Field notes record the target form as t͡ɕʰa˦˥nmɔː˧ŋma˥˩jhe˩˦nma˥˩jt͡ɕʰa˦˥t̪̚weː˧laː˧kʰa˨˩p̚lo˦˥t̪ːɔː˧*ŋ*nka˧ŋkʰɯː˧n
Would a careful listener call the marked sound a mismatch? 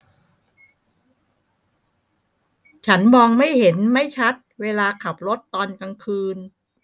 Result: yes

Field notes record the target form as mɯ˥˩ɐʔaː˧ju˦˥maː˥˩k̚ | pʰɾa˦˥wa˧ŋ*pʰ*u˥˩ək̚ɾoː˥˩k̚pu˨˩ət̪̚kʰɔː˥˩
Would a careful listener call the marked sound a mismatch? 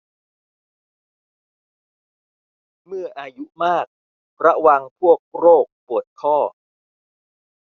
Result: no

